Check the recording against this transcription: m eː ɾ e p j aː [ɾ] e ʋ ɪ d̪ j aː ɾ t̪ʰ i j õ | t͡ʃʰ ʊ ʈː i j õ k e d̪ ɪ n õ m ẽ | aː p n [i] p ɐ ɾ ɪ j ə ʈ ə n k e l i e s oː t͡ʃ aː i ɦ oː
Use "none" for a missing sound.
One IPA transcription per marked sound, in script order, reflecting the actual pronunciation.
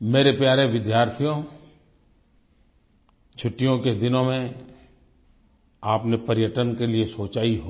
ɾ, e

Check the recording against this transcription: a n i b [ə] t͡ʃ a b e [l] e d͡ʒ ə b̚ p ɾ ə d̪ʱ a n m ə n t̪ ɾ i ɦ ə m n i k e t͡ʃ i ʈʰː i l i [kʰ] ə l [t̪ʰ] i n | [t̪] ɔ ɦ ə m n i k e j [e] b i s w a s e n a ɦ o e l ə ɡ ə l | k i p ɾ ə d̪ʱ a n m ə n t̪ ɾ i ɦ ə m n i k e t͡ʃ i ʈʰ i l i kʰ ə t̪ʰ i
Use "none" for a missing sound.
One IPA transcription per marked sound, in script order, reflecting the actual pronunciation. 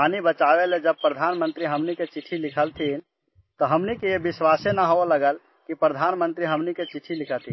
ə, l, kʰ, t̪ʰ, t̪, e

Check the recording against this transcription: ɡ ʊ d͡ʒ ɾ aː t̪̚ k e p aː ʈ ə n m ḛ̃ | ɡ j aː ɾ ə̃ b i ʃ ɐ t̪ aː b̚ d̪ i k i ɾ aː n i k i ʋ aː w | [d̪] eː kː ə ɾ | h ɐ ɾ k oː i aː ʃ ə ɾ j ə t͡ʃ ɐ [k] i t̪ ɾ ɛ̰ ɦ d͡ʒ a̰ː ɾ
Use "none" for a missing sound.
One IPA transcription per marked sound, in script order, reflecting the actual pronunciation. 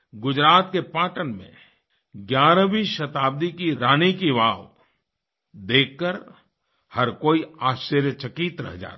d̪, k

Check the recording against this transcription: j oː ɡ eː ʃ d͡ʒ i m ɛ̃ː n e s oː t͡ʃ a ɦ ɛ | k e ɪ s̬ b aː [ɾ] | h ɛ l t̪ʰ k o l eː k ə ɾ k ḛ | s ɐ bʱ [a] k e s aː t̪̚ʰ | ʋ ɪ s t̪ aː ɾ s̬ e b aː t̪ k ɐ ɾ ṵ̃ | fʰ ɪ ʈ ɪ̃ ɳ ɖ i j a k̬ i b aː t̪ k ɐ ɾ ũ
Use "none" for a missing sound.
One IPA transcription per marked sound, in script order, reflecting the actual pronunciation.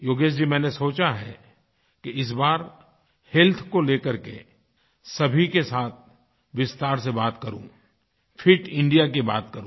ɾ, i

